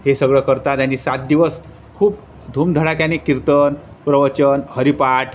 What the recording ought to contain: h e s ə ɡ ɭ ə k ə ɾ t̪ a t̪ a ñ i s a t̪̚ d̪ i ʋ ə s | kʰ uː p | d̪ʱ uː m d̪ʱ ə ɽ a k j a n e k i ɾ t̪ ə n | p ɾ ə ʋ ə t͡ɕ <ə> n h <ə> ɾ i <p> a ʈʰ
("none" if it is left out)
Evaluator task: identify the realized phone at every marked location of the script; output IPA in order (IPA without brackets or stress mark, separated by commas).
ə, ə, p